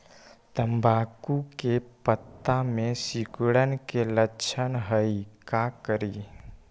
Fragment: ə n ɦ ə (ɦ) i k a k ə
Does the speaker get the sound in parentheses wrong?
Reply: yes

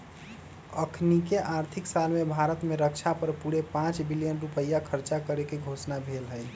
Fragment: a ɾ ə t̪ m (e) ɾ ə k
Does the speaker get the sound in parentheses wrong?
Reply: no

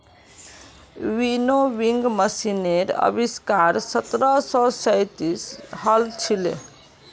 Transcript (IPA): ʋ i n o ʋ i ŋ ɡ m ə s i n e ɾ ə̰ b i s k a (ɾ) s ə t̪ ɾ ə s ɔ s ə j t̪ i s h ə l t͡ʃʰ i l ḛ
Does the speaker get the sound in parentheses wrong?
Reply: no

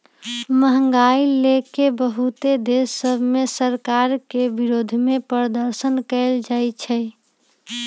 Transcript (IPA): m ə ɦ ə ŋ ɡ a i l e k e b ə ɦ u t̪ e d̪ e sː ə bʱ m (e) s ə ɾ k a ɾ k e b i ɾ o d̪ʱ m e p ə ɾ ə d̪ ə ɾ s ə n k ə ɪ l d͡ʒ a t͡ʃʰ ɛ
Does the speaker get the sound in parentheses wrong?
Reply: no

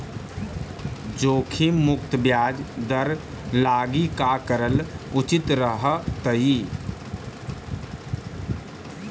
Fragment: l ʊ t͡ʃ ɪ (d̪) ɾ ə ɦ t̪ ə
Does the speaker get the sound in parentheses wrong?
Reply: yes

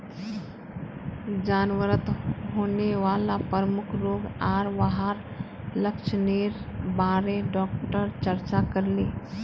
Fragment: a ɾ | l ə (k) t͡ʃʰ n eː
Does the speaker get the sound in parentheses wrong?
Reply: no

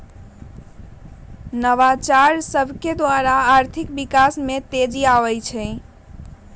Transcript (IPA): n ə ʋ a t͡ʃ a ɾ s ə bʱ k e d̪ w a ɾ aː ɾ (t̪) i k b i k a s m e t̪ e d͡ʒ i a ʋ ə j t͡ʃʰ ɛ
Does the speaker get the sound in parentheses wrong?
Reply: yes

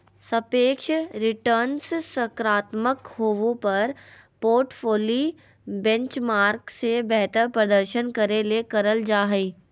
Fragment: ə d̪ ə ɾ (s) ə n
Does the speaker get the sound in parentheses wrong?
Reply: yes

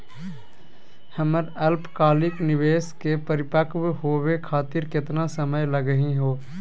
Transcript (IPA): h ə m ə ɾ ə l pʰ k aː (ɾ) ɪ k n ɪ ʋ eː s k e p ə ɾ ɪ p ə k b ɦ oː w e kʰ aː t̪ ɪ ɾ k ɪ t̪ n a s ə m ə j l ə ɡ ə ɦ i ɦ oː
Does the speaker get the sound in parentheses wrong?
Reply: yes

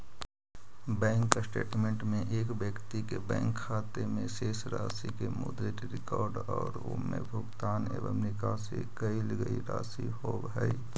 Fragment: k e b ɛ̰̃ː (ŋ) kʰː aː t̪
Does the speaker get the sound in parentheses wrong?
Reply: no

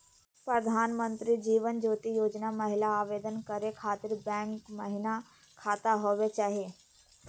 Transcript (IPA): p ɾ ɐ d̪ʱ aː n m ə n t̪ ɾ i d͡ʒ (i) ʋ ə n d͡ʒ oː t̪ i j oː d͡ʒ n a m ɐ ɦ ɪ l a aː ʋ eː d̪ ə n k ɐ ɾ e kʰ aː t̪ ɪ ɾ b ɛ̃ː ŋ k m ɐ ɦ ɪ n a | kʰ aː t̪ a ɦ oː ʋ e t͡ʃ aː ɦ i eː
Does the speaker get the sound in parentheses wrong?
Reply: yes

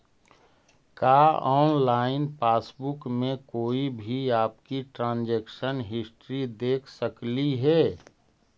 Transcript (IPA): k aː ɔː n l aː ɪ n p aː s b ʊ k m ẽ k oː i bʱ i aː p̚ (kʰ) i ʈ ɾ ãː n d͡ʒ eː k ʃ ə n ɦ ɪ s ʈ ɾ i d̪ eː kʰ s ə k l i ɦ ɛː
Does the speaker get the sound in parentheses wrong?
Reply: yes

